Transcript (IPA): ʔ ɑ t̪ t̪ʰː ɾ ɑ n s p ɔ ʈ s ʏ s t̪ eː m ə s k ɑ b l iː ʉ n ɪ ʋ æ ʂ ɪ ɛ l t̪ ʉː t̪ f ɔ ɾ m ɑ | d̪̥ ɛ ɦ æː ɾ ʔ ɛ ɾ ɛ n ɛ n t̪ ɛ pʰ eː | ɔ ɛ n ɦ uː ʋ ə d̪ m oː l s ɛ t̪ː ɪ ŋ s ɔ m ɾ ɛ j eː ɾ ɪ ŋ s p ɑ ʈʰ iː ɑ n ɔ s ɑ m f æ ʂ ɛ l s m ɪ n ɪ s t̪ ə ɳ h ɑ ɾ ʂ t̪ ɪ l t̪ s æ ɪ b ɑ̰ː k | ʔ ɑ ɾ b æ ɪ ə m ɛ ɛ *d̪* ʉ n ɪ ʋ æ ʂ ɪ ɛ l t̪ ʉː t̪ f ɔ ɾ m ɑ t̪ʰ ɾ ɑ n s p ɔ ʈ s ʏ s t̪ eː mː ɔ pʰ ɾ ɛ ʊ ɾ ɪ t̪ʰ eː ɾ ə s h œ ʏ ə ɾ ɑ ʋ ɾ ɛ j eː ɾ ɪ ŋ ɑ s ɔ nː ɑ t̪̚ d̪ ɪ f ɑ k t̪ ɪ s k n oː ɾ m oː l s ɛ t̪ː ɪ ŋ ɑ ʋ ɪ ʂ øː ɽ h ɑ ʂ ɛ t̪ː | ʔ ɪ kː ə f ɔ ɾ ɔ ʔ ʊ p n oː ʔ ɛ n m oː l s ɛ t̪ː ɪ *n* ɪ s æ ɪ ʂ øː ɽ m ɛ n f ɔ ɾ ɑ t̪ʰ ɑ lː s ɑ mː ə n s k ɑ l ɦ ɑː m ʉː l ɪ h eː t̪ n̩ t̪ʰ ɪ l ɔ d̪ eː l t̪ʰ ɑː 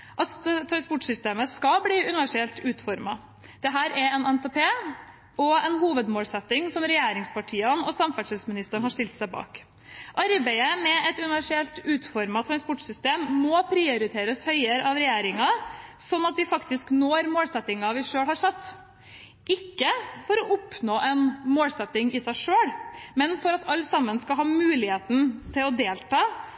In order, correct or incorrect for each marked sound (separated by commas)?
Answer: incorrect, incorrect